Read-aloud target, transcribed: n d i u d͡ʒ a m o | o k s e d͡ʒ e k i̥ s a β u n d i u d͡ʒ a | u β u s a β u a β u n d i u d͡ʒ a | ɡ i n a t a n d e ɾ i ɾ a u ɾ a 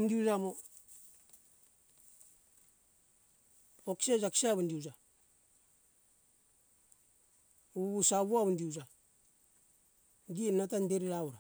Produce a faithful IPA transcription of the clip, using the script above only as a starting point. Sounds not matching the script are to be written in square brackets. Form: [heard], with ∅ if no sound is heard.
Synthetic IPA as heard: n d i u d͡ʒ a m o | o k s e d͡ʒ [a] k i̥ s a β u n d i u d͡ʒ a | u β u s a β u a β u n d i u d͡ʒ a | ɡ i n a t a n d e ɾ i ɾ a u ɾ a